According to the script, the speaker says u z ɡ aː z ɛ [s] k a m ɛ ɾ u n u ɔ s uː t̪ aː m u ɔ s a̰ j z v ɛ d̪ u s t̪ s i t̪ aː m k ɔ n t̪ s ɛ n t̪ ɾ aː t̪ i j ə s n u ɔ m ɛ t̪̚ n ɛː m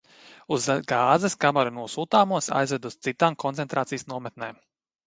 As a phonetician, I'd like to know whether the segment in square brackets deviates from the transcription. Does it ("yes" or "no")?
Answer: no